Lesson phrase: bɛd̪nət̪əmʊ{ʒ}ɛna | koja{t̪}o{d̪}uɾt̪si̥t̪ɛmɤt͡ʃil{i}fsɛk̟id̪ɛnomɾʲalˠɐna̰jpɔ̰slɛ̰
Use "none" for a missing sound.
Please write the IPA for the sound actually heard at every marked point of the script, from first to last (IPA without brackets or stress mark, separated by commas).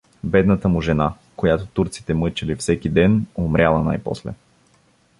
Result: ʒ, t̪, t̪, i